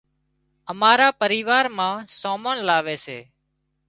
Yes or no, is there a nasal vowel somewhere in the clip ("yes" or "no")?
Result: yes